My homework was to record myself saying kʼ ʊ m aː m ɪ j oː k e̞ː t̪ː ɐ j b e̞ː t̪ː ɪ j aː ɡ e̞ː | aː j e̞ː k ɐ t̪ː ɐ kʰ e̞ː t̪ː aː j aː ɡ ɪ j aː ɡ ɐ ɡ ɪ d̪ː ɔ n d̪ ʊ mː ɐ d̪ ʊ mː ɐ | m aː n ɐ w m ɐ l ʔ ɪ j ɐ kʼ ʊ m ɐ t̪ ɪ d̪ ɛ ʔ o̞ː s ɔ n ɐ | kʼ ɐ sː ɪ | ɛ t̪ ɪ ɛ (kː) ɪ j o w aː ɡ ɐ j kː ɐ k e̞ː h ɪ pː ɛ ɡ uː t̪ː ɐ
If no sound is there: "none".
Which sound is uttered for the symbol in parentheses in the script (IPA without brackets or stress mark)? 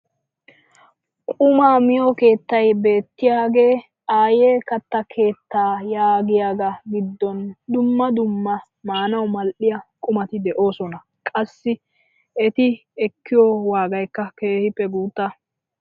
kː